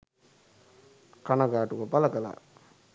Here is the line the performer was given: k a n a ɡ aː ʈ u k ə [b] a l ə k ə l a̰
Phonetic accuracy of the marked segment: incorrect: p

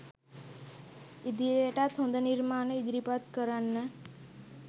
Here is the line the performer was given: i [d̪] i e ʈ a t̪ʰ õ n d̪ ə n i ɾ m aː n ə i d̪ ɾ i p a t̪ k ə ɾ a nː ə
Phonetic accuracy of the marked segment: correct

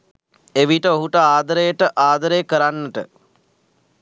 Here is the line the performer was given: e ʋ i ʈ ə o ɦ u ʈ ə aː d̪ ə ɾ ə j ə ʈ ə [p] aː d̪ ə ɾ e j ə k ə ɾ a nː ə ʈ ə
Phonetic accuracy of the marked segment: incorrect: ʔ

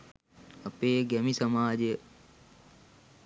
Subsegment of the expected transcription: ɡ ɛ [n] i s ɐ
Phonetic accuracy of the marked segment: incorrect: m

